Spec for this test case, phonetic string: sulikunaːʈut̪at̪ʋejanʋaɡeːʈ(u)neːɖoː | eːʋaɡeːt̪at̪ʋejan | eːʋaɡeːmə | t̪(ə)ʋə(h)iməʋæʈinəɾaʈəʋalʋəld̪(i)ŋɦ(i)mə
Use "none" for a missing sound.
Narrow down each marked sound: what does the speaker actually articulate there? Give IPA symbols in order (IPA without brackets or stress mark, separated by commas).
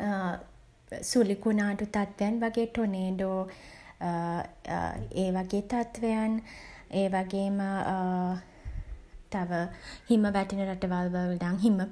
o, a, h, a, i